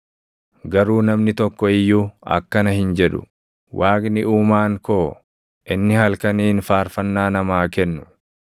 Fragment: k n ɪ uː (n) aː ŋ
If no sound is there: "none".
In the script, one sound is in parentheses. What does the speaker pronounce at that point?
m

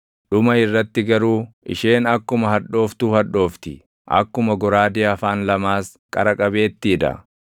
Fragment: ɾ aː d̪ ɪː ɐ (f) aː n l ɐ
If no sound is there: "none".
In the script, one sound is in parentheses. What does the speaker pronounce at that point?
f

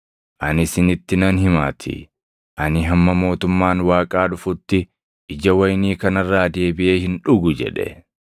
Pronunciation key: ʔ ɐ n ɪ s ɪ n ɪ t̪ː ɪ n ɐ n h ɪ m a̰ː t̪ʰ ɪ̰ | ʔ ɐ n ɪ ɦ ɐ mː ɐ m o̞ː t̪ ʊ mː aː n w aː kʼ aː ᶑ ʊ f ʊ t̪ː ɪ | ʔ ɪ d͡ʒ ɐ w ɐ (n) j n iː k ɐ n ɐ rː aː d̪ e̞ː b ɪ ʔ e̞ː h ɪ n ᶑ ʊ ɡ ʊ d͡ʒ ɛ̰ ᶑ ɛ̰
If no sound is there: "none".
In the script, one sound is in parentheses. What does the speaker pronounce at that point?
none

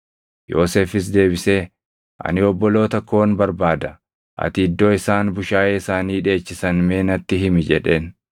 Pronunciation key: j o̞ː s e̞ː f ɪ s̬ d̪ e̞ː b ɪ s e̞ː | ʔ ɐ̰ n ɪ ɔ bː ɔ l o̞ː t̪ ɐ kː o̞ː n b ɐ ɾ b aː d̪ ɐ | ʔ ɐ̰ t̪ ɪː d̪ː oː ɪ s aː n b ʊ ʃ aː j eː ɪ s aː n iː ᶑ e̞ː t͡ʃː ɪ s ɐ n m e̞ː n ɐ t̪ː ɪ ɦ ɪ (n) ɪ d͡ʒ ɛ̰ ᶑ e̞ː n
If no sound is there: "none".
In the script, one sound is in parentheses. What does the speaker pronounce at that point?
m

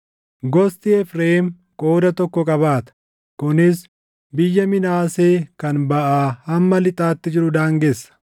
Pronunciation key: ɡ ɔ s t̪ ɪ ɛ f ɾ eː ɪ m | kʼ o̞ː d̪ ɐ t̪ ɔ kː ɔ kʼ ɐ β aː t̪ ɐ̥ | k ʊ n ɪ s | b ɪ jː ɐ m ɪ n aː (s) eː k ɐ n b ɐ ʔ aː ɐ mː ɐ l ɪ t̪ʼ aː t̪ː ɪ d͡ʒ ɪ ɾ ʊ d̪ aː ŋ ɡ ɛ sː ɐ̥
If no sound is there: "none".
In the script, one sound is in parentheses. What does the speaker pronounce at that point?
s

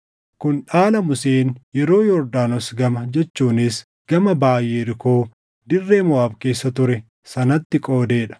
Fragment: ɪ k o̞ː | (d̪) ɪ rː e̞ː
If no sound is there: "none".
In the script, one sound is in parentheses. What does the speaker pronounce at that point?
d̪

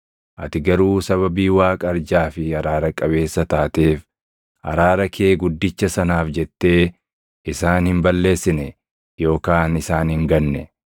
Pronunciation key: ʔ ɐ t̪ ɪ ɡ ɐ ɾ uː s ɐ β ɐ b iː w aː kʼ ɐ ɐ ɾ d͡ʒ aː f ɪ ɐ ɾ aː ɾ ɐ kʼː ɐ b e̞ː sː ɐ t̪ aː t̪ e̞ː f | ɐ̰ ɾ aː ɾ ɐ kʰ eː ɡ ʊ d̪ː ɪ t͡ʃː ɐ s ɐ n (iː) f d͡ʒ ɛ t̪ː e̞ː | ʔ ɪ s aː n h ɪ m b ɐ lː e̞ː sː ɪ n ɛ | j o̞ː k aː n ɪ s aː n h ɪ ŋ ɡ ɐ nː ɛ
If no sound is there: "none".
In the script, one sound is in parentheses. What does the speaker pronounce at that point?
aː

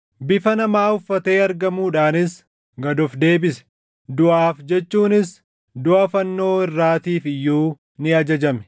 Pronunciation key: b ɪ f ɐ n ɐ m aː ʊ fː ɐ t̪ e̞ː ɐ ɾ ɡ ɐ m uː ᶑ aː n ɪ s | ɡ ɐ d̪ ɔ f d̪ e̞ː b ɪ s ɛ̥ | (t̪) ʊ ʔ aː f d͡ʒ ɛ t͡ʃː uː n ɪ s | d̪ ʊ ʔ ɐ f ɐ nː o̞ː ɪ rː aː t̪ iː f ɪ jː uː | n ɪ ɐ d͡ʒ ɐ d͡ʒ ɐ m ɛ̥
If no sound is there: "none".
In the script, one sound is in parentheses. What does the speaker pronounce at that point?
d̪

